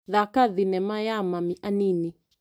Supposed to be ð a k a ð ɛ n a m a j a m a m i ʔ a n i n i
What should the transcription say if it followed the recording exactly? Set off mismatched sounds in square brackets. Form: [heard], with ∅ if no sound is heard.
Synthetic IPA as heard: ð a k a ð [i] n [ɛ] m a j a m a m i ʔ a n i n i